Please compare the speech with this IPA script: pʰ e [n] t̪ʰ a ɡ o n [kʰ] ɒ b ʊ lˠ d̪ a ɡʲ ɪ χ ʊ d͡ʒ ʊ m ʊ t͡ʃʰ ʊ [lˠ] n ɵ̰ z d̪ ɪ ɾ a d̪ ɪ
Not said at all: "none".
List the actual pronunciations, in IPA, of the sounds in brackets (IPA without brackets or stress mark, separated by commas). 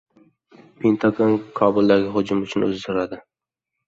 n, kʰ, none